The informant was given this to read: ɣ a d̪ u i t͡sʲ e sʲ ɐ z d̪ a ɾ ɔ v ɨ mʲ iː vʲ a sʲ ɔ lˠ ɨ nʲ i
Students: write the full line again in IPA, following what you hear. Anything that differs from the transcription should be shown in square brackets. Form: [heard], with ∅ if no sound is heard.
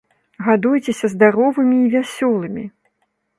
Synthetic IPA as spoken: ɣ a d̪ u [j] t͡sʲ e sʲ ɐ z d̪ a ɾ ɔ v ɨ mʲ iː vʲ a sʲ ɔ lˠ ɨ [mʲ] i